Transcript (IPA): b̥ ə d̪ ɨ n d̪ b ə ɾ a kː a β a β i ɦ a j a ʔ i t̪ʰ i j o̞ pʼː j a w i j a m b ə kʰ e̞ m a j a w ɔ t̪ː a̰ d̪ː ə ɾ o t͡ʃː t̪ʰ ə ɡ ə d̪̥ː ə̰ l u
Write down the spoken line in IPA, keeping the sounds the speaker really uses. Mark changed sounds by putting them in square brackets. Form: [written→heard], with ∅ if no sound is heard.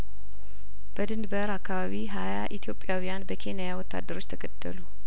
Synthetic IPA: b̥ ə d̪ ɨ n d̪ b ə ɾ a kː a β a β i ɦ a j a ʔ i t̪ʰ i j o̞ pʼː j a w i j a [m→n] b ə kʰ e̞ [m→n] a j a w ɔ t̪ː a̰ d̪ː ə ɾ o t͡ʃː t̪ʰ ə ɡ ə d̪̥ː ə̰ l u